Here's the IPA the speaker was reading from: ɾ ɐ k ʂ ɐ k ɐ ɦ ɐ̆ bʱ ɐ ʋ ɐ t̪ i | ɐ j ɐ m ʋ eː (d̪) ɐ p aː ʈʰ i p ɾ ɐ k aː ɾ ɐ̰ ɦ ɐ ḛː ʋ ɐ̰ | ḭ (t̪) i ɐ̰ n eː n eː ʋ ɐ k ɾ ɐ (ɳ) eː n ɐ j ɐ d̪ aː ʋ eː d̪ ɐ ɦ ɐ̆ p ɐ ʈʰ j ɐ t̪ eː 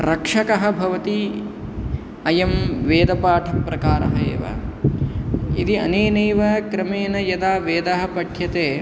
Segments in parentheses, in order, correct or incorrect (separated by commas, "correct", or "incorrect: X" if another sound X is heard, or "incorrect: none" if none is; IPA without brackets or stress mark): correct, incorrect: d̪, incorrect: m